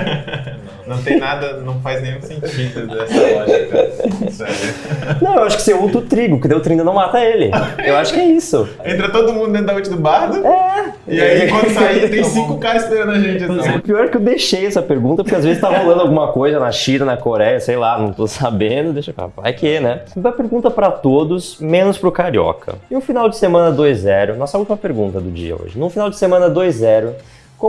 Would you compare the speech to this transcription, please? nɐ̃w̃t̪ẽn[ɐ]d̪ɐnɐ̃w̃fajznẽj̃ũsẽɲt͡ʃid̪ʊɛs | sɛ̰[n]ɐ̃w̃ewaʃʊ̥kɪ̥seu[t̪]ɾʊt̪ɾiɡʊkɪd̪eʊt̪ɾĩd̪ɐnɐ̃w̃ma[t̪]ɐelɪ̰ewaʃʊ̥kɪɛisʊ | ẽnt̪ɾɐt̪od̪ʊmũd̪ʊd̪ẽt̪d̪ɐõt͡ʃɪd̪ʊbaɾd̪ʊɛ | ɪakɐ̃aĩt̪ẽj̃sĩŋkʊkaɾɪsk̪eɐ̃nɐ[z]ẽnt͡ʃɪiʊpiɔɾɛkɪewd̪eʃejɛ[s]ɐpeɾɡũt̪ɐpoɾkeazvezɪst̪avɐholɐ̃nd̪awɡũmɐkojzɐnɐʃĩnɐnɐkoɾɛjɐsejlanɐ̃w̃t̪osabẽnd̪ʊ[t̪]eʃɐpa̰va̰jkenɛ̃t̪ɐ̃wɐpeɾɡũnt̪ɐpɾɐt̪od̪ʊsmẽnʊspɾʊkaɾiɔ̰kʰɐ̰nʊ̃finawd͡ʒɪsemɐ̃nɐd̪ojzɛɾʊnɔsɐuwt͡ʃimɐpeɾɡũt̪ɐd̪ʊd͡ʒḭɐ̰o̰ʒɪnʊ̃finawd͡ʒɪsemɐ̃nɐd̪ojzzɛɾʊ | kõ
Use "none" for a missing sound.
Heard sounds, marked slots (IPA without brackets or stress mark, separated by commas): a, n, t̪, t̪, ʒ, s, d̪